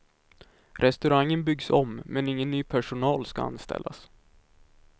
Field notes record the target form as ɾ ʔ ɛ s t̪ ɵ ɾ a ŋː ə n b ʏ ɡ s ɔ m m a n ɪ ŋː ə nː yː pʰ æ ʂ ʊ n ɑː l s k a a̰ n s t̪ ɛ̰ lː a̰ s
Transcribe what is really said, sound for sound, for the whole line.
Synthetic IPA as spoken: ɾ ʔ ɛ s t̪ ɵ ɾ a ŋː ə n b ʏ ɡ s ɔ m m ɛ n ɪ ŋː ə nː yː pʰ æ ʂ ʊ n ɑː l s k a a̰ n s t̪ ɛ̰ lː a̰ s